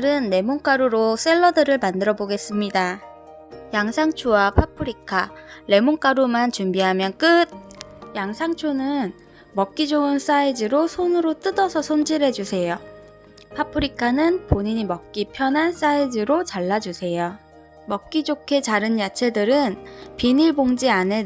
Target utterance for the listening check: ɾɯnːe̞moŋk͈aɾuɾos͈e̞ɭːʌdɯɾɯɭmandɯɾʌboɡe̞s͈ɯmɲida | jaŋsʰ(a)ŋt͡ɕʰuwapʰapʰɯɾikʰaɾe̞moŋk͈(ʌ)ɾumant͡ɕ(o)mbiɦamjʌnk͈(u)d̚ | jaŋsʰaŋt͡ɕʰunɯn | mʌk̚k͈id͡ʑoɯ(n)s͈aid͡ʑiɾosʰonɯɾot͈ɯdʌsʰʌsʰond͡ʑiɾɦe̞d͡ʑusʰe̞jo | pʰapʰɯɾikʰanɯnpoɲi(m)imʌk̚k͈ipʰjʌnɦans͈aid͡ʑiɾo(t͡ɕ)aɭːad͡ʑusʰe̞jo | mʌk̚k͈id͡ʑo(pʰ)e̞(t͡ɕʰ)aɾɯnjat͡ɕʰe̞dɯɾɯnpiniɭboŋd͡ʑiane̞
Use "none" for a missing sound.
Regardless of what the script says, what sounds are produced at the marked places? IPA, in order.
a, a, u, ɯ, n, ɲ, t͡ɕ, kʰ, t͡ɕ

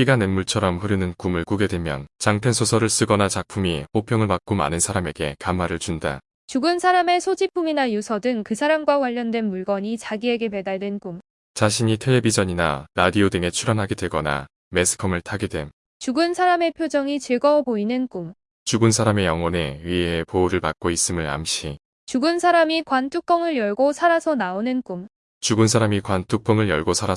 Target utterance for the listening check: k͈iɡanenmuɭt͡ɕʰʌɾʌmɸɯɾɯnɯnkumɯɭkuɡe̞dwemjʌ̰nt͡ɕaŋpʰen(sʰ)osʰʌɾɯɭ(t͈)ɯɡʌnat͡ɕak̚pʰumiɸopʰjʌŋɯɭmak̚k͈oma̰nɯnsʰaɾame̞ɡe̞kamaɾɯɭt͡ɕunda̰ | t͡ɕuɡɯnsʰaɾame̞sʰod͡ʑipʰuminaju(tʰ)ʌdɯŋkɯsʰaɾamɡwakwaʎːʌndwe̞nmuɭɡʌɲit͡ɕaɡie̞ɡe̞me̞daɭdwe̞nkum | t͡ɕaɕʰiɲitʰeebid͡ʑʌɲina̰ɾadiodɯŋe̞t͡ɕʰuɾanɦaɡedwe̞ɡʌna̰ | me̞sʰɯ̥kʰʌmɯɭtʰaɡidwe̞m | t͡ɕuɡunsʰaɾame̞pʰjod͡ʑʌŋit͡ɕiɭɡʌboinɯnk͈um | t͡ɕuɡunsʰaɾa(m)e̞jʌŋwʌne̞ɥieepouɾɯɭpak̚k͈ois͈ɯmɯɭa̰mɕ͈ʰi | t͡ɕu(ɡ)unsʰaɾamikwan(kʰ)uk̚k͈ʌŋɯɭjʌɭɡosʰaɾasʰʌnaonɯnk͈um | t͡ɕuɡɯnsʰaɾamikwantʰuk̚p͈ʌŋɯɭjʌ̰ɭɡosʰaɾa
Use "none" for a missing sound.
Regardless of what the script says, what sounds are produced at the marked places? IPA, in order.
sʰ, s͈, sʰ, m, ɡ, tʰ

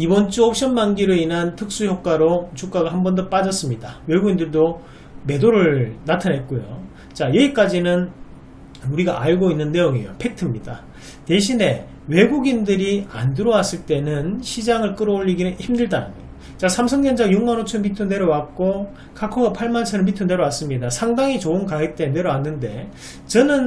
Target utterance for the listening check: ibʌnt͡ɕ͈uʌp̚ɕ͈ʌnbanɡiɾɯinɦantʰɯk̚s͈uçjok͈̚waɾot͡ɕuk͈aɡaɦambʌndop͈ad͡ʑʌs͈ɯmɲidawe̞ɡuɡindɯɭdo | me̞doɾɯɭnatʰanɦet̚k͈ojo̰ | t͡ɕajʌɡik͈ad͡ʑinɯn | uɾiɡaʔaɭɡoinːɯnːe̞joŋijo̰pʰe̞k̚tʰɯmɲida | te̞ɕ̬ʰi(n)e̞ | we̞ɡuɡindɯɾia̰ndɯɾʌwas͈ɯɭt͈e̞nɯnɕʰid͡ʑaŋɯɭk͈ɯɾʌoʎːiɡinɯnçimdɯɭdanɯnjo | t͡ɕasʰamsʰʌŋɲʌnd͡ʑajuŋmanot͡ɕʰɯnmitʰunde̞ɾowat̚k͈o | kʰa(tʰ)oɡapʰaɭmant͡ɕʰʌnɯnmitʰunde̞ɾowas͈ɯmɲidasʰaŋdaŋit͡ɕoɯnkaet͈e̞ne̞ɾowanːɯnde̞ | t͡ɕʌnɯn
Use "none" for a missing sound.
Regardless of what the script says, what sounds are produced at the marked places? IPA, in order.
n, kʰ

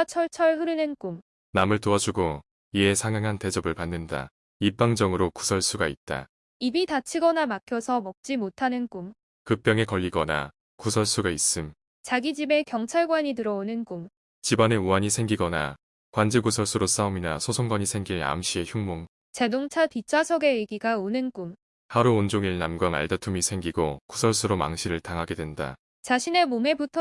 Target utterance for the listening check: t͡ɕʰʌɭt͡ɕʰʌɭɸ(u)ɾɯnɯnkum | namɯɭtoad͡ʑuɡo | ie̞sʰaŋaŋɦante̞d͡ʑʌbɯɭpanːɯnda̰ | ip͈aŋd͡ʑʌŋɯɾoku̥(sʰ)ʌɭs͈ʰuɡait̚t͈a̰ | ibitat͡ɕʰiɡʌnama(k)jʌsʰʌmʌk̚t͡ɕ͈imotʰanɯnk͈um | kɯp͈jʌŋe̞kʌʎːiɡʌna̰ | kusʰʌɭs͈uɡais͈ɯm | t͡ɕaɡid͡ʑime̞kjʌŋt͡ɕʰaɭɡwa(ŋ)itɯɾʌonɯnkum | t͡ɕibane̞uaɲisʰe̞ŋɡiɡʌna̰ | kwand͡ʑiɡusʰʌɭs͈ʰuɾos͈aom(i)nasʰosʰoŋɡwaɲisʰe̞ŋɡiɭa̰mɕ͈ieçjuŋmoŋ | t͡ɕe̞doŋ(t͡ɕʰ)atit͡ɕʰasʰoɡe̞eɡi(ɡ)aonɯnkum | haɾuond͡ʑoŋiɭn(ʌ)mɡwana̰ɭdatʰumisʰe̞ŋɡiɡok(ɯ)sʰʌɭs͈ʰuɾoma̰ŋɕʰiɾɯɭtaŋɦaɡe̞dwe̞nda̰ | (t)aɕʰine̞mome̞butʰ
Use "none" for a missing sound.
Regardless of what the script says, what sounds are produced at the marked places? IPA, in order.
ɯ, sʰ, kʰ, ɲ, i, t͡ɕʰ, ɡ, a, u, t͡ɕ

